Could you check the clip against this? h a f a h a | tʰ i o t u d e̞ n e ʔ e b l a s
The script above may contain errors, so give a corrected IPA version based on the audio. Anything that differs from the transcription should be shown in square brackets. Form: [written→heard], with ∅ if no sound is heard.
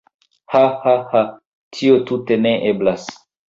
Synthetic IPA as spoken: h a [f→h] a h a | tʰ i o t u [d→t] e̞ n e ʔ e b l a s

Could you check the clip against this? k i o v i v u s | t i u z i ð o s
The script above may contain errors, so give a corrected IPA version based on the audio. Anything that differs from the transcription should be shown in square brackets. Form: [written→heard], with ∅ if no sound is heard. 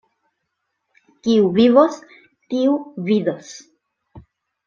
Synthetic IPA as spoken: k i [o→u] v i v [u→o] s | t i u [z→v] i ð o s

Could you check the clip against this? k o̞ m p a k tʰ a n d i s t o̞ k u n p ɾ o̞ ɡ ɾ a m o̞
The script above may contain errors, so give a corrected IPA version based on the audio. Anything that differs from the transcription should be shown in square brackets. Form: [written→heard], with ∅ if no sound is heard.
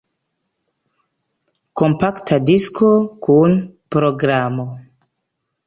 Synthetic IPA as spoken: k o̞ m p a k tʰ a [n→∅] d i s [t→k] o̞ k u n p ɾ o̞ ɡ ɾ a m o̞

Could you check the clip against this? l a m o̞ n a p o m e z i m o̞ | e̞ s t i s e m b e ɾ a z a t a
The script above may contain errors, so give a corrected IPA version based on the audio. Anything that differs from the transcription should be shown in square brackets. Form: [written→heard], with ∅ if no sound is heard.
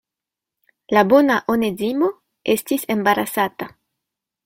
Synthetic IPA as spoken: l a [m→b] o̞ n a [p→ʔ] o [m→n] e z i m o̞ | e̞ s t i s e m b [e→a] ɾ a [z→s] a t a

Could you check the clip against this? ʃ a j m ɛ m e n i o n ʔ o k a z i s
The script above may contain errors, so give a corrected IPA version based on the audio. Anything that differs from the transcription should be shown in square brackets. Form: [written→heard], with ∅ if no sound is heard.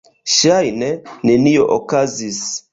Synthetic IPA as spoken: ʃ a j [m→n] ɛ [m→n] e n i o [n→∅] ʔ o k a z i s

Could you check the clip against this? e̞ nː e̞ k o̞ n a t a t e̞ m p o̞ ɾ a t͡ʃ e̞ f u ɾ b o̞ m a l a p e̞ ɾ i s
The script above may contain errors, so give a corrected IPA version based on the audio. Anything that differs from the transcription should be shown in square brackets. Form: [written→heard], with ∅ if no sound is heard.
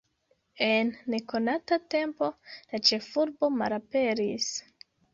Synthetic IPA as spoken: e̞ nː e̞ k o̞ n a t a t e̞ m p o̞ [ɾ→l] a t͡ʃ e̞ f u ɾ b o̞ m a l a p e̞ ɾ i s

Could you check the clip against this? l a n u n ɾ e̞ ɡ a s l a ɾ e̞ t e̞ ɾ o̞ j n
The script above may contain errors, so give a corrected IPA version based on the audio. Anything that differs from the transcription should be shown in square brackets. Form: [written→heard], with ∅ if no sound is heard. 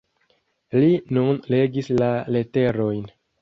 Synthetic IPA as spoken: l [a→i] n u n [ɾ→l] e̞ ɡ [a→i] s l a [ɾ→l] e̞ t e̞ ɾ o̞ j n

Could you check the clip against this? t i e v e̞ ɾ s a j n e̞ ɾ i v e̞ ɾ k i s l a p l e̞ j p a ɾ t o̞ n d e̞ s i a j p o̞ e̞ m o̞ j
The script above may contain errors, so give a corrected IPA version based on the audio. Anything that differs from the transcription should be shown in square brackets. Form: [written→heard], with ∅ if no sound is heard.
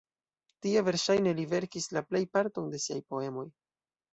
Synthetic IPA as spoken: t i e v e̞ ɾ [s→ʃ] a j n e̞ [ɾ→l] i v e̞ ɾ k i s l a p l e̞ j p a ɾ t o̞ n d e̞ s i a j p o̞ e̞ m o̞ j

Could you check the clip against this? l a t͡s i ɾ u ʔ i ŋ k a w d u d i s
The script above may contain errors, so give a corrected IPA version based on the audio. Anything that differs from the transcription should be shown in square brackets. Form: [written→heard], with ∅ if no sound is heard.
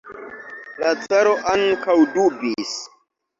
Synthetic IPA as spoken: l a t͡s [i→a] ɾ [u→o] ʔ [i→a] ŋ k a w d u [d→b] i s

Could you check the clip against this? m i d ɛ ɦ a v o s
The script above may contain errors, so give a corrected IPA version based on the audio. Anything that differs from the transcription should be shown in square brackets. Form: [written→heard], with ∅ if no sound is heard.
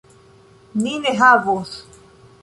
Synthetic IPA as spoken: [m→n] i [d→n] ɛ ɦ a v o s

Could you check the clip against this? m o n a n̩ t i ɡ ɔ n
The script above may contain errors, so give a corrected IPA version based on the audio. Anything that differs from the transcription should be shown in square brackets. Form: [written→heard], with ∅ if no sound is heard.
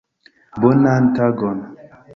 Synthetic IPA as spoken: [m→b] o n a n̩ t [i→a] ɡ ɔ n

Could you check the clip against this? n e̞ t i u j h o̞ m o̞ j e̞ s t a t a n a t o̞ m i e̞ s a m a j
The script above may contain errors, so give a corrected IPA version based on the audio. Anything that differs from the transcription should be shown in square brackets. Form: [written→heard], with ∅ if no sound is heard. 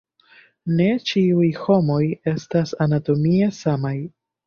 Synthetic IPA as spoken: n e̞ [t→t͡ʃ] i u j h o̞ m o̞ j e̞ s t a [t→s] a n a t o̞ m i e̞ s a m a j

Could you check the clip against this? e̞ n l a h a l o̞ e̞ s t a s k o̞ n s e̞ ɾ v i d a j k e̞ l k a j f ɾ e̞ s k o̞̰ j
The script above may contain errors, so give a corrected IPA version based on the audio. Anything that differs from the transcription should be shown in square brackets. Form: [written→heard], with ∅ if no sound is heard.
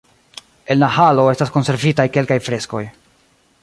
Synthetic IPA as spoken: e̞ n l a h a l o̞ e̞ s t a s k o̞ n s e̞ ɾ v i [d→t] a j k e̞ l k a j f ɾ e̞ s k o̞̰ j

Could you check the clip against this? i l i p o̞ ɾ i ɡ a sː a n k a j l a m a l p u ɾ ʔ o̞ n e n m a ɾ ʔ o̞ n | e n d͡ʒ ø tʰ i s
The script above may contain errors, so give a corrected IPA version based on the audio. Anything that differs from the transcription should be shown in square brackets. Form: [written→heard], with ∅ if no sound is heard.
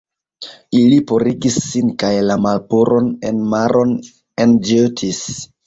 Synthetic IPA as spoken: i l i p o̞ ɾ i ɡ [a→i] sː [a→i] n k a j l a m a l p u ɾ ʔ o̞ n e n m a ɾ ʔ o̞ n | e n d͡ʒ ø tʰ i s

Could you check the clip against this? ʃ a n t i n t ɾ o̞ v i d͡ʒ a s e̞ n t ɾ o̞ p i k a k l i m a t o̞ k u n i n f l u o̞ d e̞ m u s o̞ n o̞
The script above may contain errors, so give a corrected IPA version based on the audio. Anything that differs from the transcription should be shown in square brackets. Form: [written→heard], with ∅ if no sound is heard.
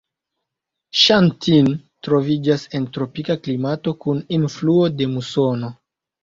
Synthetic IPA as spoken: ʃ a n t i n t ɾ o̞ v i d͡ʒ a s e̞ n t ɾ o̞ p i k a k l i m a t o̞ k u n i n f l u o̞ d e̞ m u s o̞ n o̞

